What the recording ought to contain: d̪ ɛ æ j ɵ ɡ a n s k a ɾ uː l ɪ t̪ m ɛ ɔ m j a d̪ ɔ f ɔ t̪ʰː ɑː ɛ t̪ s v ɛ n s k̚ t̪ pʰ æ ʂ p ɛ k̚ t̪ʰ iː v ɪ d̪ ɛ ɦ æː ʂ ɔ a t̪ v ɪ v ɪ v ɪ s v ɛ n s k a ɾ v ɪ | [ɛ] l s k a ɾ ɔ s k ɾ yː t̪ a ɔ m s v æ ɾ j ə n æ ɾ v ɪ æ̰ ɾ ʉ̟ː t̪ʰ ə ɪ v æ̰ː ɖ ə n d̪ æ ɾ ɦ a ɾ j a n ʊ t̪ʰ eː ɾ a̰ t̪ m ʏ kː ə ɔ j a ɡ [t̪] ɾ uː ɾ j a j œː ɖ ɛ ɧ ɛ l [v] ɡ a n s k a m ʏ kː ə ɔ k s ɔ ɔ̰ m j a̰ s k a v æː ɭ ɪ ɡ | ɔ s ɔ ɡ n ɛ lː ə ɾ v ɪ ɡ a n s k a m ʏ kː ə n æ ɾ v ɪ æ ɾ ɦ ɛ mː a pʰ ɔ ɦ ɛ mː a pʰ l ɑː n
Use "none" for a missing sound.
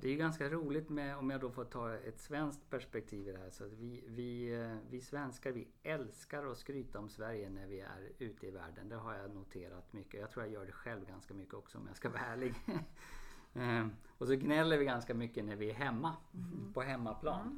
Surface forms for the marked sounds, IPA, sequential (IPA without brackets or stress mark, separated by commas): ɛ, t̪ʰ, v